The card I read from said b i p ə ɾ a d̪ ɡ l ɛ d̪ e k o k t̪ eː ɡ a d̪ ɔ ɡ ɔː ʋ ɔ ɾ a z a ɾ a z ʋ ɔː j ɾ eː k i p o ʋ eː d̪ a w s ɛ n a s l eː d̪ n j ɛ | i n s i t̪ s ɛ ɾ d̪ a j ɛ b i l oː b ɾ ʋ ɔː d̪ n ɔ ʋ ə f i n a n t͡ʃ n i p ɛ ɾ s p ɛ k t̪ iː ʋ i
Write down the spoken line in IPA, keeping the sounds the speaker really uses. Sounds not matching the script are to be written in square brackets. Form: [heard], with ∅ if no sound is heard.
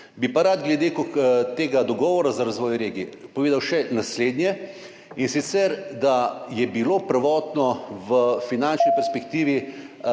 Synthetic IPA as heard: b i p [a] ɾ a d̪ ɡ l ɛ d̪ e k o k t̪ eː ɡ a d̪ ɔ ɡ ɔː ʋ ɔ ɾ a z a ɾ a z ʋ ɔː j ɾ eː [ɡ] i p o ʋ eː d̪ a w [ʃ] ɛ n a s l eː d̪ n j ɛ | i n s i t̪ s ɛ ɾ d̪ a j ɛ b i l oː [p] ɾ ʋ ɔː [t̪] n ɔ ʋ ə f i n a n t͡ʃ n i p ɛ ɾ s p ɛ k t̪ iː ʋ i